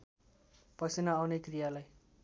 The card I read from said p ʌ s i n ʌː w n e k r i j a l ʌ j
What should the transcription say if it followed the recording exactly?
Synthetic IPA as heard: p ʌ s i n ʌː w n e k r i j a l a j